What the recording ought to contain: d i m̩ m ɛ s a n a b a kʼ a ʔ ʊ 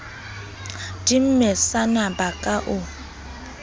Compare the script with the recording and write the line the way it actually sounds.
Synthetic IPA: d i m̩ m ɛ s a n a b a kʼ a ʔ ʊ